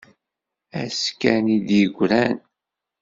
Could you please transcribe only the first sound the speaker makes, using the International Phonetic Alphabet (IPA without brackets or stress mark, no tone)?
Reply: æ